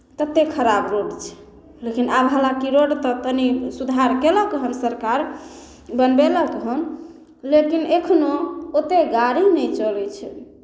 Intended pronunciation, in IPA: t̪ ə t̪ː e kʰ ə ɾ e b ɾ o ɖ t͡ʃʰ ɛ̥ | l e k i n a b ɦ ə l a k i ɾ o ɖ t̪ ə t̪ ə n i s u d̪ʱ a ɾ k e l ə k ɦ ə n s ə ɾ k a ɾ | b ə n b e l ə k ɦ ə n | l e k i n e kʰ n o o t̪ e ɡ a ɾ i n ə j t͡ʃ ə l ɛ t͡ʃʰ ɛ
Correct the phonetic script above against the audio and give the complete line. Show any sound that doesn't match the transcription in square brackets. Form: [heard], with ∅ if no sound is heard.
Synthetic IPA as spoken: t̪ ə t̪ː e kʰ ə ɾ [a] b ɾ o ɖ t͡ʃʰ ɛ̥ | l e k i n a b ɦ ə l a k i ɾ o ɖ t̪ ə t̪ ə n i s u d̪ʱ a ɾ k e l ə k ɦ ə n s ə ɾ k a ɾ | b ə n b e l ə k ɦ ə n | l e k i n e kʰ n o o t̪ e ɡ a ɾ i n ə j t͡ʃ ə l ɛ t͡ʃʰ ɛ

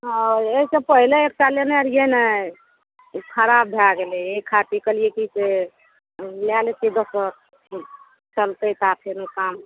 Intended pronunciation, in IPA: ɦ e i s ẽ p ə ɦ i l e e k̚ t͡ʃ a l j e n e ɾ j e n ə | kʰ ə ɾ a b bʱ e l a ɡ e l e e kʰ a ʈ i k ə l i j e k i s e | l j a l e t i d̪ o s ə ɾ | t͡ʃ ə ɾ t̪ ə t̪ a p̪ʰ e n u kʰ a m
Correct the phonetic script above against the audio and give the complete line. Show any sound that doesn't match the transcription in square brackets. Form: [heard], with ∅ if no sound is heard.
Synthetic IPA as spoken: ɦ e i s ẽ p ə ɦ i l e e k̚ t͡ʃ a l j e n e ɾ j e n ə | kʰ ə ɾ a b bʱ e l a ɡ e l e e kʰ a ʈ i k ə l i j e k i s e | l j a l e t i d̪ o s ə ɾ | t͡ʃ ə [l] t̪ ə t̪ a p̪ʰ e n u [k] a m

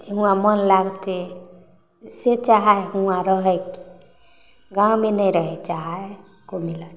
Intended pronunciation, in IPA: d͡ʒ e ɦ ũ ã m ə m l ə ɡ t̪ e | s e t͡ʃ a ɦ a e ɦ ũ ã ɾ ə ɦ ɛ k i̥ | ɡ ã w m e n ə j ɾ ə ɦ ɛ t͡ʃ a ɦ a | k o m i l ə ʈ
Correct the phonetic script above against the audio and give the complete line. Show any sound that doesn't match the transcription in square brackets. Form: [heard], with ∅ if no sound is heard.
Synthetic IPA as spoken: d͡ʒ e ɦ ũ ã m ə [n] l [a] ɡ t̪ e | s e t͡ʃ a ɦ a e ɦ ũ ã ɾ ə ɦ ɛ k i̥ | ɡ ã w m e n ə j ɾ ə ɦ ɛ t͡ʃ a ɦ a | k o m i l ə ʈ

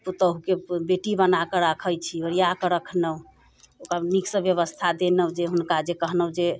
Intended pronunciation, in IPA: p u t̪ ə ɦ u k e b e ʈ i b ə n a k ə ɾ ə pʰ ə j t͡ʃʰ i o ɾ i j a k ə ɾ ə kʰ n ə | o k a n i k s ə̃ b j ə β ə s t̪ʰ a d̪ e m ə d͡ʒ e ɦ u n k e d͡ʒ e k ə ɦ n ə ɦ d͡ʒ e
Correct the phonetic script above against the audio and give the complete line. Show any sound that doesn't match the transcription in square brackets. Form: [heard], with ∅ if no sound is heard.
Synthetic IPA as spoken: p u t̪ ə ɦ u k e b e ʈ i b ə n a k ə ɾ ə [kʰ] ə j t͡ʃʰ i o ɾ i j a k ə ɾ ə kʰ n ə | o k a n i k s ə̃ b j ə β ə s t̪ʰ a d̪ e [n] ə d͡ʒ e ɦ u n k [a] d͡ʒ e k ə ɦ n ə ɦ d͡ʒ e

